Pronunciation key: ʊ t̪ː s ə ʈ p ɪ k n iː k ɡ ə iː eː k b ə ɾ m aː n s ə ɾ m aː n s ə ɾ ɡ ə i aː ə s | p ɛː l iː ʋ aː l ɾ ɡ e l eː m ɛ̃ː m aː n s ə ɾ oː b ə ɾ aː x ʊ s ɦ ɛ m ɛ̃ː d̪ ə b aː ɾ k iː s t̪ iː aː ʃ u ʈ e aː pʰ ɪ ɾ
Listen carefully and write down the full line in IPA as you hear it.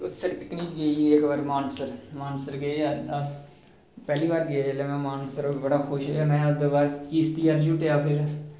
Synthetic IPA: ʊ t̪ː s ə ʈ p ɪ k n iː k ɡ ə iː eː k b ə ɾ m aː n s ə ɾ m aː n s ə ɾ ɡ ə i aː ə s | p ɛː l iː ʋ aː ɾ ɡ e l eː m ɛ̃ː m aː n s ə ɾ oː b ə ɽ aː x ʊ ʃ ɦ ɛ m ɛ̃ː d̪ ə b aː ɾ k iː s t̪ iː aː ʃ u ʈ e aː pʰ ɪ ɾ